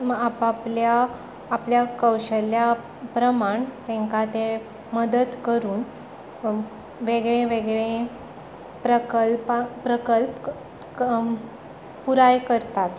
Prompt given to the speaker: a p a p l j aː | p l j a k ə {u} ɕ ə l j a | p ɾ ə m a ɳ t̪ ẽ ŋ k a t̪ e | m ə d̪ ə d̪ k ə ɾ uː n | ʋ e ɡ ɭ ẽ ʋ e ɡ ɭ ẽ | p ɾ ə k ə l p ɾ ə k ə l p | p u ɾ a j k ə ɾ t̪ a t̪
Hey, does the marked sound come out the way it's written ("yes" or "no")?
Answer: no